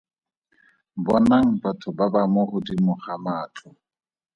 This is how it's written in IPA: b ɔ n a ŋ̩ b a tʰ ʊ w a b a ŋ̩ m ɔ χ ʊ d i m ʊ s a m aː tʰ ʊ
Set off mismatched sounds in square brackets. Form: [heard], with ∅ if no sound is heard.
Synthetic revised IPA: b ɔ n a ŋ̩ b a tʰ ʊ [b] a b a [∅] m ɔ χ ʊ d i m ʊ [χ] a m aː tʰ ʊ